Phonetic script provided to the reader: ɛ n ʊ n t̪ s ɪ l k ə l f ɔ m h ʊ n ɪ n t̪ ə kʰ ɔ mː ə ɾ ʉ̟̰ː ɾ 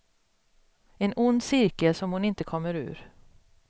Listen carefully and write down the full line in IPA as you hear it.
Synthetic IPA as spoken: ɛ n ʊ n d̪ s ɪ ɾ k ə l s ɔ m h ʊ n ɪ n t̪ ə kʰ ɔ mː ə ɾ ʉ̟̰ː ɾ

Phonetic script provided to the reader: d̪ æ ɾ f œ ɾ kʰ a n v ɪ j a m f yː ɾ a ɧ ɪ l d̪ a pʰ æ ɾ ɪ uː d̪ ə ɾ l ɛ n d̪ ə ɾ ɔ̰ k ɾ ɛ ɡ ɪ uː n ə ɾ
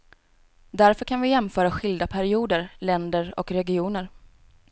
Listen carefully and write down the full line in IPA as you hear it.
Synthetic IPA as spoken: d̪ æ ɾ f œ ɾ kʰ a n v ɪ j ɛ m f œː ɾ a ɧ ɪ l d̪ a pʰ æ ɾ ɪ uː d̪ ə ɾ l ɛ n d̪ ə ɾ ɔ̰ k ɾ ɛ ɡ ɪ uː n ə ɾ

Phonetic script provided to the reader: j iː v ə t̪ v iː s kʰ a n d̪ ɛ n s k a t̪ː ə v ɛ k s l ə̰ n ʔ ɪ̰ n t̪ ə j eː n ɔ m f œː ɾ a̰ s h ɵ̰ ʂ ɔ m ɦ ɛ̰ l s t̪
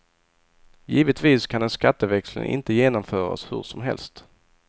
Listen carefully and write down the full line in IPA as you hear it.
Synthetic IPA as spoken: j iː v ə t̪ v iː s kʰ a n d̪ ɛ n s k a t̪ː ə v ɛ k s l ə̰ n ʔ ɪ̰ n t̪ ə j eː n ɔ m f œː ɾ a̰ s h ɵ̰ ʂ ɔ m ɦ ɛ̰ l s t̪

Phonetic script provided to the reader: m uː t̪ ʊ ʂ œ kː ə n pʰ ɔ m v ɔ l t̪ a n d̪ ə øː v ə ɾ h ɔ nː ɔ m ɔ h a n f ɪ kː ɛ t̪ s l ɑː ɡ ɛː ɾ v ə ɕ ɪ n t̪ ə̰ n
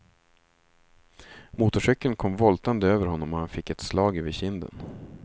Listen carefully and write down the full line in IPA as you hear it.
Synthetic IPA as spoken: m uː t̪ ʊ ʂ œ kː ə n kʰ ɔ m v ɔ l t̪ a n d̪ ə øː v ə ɾ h ɔ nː ɔ m ɔ h a n f ɪ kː ɛ t̪ s l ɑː ɡ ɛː v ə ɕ ɪ n d̪ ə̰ n

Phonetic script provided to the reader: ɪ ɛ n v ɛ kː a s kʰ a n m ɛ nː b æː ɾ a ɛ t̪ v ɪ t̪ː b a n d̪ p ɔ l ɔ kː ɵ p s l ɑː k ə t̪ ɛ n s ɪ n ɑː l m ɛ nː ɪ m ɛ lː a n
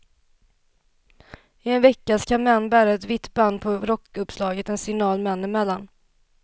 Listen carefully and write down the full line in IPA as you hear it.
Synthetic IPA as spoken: ɪ ɛ n v ɛ kː a s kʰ a n m ɛ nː b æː ɾ a ɛ t̪ v ɪ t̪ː b a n d̪ pʰ ɔ ɾ ɔ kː ɵ p s l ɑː ɡ ə t̪ ɛ n s ɪ n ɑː l m ɛ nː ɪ m ɛ lː a n

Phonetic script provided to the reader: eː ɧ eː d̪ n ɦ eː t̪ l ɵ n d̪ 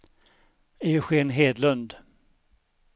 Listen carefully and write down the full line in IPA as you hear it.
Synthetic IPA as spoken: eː ɧ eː n ɦ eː d̪ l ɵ n d̪

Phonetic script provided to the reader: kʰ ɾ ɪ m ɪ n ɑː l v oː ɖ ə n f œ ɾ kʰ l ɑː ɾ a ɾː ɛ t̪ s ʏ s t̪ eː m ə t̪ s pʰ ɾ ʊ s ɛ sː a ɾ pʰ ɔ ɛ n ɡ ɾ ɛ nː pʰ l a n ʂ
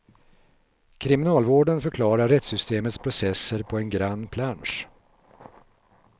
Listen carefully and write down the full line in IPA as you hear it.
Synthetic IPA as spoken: kʰ ɾ ɪ m ɪ n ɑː l v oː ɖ ə n f œ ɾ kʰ l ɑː ɾ a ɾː ɛ t̪ s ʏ s t̪ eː m ə t̪ s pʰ ɾ ʊ s ɛ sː ə ɾ pʰ ɔ ɛ n ɡ ɾ a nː pʰ l a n ʂ

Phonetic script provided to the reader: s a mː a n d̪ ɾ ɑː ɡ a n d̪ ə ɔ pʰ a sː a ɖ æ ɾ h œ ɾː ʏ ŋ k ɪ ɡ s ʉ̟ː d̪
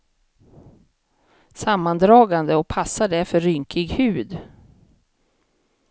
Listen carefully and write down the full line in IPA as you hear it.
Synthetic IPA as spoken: s a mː a n d̪ ɾ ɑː ɡ a n d̪ ə ɔ pʰ a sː a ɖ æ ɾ f œ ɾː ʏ ŋ k ɪ ɡ h ʉ̟ː d̪

